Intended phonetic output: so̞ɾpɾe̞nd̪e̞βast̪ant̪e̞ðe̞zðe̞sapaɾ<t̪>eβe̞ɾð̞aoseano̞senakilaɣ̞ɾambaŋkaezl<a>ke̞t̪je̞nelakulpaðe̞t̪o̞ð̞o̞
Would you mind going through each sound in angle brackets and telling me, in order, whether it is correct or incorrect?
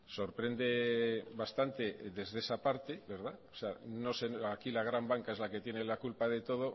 correct, correct

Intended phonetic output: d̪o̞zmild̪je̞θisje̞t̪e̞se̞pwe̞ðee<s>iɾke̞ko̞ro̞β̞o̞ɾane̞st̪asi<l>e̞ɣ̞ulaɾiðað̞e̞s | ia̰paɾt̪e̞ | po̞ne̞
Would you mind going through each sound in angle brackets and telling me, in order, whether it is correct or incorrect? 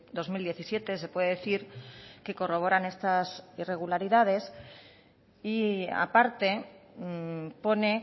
incorrect, incorrect

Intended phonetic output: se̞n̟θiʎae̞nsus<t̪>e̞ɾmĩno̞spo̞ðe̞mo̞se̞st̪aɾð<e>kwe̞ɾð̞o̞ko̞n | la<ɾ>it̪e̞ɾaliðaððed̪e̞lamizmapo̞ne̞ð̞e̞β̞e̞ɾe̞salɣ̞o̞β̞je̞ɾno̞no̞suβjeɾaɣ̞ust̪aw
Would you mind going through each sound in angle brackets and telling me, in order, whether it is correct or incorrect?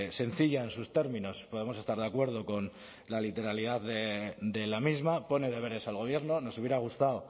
correct, incorrect, incorrect

